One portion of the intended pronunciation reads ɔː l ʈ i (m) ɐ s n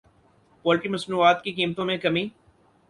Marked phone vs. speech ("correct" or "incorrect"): correct